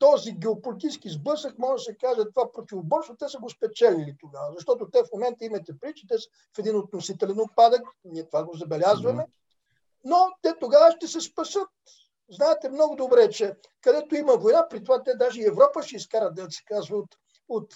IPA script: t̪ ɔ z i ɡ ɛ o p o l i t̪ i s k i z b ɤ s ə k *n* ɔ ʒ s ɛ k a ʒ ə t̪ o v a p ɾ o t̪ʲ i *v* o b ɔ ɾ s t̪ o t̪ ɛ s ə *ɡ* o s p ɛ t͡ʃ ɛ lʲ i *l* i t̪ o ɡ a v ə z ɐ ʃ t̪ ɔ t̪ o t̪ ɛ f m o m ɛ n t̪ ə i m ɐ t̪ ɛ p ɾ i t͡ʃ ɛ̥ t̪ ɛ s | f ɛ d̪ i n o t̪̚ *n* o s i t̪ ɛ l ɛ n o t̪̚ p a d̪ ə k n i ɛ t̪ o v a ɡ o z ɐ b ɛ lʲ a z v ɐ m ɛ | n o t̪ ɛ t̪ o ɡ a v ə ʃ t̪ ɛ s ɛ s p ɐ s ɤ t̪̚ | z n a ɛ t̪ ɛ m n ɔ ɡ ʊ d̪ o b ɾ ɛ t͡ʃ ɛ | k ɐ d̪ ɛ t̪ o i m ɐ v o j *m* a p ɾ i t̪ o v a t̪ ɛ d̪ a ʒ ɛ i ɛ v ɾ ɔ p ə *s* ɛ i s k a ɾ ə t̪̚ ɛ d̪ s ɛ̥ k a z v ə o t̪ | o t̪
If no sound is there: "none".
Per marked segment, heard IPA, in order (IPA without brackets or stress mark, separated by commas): m, v, ɡ, l, n, n, ʃ